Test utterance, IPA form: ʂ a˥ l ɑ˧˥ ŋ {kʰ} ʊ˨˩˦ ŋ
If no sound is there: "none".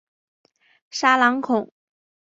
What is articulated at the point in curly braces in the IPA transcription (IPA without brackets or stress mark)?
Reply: kʰ